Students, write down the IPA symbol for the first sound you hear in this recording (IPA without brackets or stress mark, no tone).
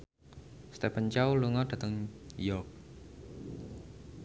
s